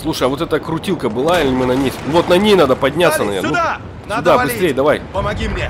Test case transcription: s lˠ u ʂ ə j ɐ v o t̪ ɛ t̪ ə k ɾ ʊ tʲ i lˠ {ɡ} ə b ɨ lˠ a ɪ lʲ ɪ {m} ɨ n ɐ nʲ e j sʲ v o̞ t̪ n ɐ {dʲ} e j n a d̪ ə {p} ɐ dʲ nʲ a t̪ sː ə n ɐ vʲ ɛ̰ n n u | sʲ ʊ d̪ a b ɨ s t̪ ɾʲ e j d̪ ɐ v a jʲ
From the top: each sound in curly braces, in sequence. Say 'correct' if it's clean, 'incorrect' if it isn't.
incorrect: k, correct, incorrect: nʲ, correct

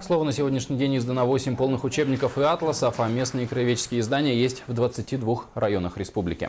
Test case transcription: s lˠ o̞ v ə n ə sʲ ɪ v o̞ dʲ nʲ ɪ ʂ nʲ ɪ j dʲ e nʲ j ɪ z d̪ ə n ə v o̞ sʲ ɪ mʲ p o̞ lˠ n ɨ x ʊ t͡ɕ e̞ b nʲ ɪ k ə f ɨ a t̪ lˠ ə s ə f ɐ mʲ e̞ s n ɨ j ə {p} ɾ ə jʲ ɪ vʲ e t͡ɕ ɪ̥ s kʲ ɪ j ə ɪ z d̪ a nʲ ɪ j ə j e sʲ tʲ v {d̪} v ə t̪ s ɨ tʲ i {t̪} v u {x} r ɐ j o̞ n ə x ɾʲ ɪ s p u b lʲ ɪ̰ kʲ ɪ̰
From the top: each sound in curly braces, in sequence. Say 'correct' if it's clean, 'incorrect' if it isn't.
incorrect: k, correct, incorrect: d̪, correct

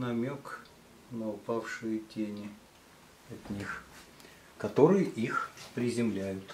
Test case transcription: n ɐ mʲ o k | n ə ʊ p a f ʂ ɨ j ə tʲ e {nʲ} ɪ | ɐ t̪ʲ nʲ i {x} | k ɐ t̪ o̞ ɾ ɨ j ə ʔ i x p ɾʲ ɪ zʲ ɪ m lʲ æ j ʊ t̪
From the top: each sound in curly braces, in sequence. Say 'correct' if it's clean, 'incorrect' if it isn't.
correct, correct

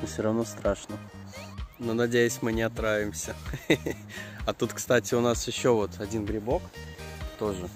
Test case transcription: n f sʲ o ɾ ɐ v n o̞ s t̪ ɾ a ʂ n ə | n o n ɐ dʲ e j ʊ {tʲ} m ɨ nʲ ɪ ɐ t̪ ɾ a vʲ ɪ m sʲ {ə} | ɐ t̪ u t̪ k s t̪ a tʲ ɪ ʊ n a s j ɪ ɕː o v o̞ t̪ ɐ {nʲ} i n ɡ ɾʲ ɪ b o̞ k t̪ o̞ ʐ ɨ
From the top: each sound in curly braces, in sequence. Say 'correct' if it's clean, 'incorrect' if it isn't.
incorrect: sʲ, correct, incorrect: dʲ

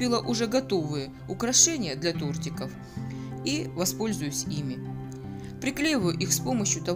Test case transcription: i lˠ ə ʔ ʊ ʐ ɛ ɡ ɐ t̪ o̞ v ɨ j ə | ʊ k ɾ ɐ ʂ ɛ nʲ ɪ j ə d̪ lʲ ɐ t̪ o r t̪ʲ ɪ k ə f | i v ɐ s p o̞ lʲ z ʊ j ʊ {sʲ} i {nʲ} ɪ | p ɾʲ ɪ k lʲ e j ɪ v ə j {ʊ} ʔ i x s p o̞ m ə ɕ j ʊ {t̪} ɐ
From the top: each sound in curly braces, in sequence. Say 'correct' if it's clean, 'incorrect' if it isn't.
correct, incorrect: mʲ, correct, correct

